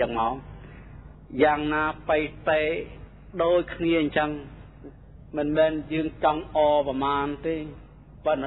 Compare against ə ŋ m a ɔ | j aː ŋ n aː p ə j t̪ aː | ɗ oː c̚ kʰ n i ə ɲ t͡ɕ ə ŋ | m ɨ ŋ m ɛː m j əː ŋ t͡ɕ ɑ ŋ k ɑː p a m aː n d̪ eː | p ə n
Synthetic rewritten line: ə ŋ m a ɔ | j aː ŋ n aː p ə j t̪ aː | ɗ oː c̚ kʰ n i ə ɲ t͡ɕ ə ŋ | m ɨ n m ɛː n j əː ŋ t͡ɕ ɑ ŋ ʔ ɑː p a m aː n t̪ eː | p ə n